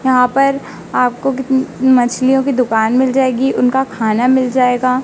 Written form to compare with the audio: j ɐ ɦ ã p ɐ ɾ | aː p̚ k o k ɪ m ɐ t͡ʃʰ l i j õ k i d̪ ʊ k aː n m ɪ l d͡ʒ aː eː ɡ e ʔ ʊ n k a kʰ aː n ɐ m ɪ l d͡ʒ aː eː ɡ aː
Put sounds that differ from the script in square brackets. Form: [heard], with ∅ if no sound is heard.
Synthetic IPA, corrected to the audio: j ɐ ɦ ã p ɐ ɾ | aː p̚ k o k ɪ m ɐ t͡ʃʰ l i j õ k i d̪ ʊ k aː n m ɪ l d͡ʒ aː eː ɡ [i] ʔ ʊ n k a kʰ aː n [a] m ɪ l d͡ʒ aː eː ɡ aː